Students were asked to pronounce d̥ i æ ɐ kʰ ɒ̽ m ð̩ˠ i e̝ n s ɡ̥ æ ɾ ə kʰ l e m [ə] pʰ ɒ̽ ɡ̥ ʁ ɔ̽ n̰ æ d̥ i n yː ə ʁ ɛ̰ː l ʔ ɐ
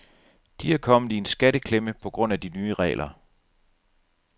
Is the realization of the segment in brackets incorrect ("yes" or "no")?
no